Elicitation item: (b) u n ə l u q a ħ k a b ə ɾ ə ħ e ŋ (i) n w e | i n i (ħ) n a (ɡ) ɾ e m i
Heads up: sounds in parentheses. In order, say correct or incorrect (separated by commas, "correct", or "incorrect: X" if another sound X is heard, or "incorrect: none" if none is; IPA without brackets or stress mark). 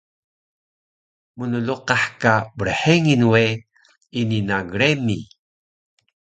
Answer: incorrect: m, correct, incorrect: none, correct